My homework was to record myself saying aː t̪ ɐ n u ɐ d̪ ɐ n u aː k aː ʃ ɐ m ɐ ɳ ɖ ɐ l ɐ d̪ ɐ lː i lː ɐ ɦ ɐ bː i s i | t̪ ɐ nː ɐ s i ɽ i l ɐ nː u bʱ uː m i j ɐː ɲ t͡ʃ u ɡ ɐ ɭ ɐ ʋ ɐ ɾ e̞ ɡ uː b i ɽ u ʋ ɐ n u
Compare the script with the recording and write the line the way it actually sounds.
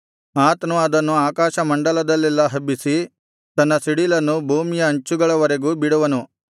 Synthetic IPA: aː t̪ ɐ n u ɐ d̪ ɐ nː u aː k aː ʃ ɐ m ɐ ɳ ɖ ɐ l ɐ d̪ ɐ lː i lː ɐ ɦ ɐ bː i s i | t̪ ɐ nː ɐ s i ɽ i l ɐ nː u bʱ uː m i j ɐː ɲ t͡ʃ u ɡ ɐ ɭ ɐ ʋ ɐ ɾ e̞ ɡ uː b i ɽ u ʋ ɐ n u